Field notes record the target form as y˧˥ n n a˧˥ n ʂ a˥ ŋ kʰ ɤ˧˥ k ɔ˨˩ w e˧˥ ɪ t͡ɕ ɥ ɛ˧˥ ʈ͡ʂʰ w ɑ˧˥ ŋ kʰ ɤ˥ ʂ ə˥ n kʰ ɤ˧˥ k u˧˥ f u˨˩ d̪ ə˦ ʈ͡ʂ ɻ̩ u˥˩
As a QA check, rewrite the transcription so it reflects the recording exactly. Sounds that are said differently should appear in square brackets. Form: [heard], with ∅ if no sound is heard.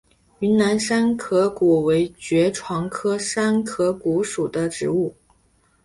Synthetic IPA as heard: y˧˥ n n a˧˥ n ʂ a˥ [n] kʰ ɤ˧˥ k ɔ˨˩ w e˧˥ ɪ t͡ɕ ɥ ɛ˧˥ ʈ͡ʂʰ w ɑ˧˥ ŋ kʰ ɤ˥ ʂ [a˥] n kʰ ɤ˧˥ k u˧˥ [ʂ] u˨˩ d̪ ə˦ ʈ͡ʂ ɻ̩ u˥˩